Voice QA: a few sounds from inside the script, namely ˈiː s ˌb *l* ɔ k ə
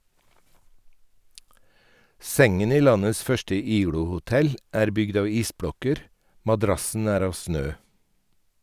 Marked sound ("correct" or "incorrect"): incorrect